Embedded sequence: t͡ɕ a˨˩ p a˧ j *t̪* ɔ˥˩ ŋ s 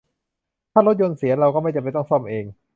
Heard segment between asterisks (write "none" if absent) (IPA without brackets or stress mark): t̪